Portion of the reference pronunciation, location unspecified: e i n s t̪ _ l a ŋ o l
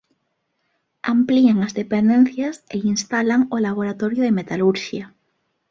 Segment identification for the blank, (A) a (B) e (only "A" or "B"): A